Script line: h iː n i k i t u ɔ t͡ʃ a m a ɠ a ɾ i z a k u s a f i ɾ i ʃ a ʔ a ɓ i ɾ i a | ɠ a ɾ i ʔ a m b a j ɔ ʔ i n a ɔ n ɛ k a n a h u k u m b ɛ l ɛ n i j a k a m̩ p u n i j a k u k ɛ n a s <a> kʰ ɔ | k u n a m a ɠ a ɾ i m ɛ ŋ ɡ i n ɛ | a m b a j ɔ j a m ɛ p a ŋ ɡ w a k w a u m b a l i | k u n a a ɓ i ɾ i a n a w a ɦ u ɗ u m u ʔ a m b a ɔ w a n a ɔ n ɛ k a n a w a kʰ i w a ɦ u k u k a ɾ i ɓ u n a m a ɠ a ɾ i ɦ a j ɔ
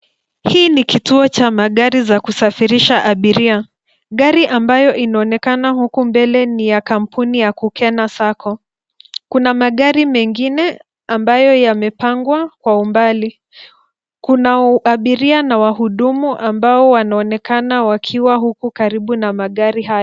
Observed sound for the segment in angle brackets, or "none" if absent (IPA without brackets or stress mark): a